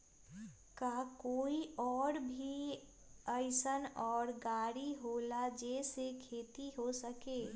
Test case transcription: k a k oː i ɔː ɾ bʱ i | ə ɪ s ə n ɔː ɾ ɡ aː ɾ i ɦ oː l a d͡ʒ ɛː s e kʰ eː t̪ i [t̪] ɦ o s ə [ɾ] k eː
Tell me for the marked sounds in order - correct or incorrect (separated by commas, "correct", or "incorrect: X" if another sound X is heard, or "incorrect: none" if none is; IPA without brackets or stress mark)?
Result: incorrect: none, incorrect: none